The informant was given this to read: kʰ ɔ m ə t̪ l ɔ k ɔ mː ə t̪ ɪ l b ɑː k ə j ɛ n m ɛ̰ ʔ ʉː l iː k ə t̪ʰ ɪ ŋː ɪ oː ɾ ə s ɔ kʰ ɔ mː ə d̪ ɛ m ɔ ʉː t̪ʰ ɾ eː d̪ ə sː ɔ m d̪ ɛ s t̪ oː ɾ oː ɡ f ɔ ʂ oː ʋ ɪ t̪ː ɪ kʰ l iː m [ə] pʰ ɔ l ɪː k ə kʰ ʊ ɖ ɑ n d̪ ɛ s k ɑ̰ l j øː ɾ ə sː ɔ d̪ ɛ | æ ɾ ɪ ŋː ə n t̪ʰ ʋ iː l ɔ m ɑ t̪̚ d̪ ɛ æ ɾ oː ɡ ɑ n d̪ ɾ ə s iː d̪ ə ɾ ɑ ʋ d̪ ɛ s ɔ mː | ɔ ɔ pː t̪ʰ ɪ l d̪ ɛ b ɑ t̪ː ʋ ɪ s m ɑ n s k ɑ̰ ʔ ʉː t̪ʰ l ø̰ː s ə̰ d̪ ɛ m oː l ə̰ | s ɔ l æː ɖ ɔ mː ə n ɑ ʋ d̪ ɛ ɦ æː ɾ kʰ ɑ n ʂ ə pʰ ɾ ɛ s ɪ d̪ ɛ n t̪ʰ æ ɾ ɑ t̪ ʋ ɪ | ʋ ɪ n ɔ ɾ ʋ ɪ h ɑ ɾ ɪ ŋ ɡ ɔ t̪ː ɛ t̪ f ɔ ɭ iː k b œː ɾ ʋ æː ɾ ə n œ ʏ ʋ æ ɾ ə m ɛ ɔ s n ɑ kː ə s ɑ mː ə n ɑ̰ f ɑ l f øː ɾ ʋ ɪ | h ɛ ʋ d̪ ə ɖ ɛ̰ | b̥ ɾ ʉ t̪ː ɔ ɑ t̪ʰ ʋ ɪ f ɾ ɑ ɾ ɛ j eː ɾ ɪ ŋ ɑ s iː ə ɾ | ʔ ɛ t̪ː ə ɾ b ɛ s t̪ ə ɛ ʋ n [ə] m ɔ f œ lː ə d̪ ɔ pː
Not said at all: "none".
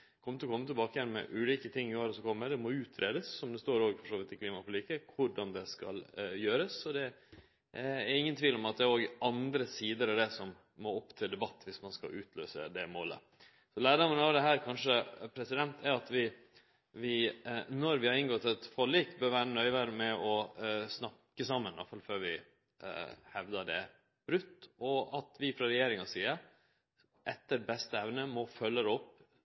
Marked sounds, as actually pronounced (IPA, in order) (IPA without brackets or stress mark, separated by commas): ɑ, ə